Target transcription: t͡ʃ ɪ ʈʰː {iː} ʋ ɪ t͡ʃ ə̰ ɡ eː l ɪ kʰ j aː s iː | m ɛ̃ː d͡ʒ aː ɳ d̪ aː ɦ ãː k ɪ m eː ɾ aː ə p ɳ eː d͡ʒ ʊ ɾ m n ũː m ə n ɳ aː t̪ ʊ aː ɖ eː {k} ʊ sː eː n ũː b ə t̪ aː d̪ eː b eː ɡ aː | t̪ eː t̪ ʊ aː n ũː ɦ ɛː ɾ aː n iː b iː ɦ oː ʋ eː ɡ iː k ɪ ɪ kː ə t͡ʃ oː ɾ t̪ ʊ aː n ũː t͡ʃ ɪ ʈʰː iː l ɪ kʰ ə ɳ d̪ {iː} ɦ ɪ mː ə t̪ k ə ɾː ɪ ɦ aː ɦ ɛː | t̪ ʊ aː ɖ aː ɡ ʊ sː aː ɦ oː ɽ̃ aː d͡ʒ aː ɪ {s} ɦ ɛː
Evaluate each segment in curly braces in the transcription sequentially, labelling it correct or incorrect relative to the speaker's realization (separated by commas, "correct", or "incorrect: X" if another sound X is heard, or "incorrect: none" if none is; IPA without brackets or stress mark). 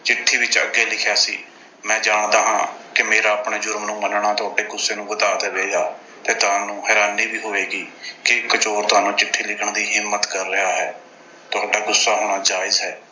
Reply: correct, incorrect: ɡ, correct, incorrect: z